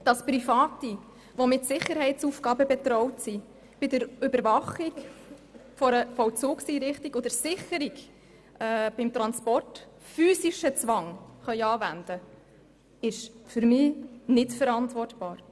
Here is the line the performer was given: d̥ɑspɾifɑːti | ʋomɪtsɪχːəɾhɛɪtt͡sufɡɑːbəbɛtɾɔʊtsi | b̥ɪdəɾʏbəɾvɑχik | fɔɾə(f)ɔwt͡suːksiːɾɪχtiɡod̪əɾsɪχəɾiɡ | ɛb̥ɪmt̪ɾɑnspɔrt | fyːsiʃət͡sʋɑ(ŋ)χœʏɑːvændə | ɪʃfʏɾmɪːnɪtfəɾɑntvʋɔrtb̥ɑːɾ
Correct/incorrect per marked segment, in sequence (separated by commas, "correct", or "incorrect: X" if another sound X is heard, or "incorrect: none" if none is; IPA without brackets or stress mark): correct, correct